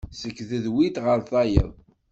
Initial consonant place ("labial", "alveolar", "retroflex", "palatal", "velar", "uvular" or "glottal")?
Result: alveolar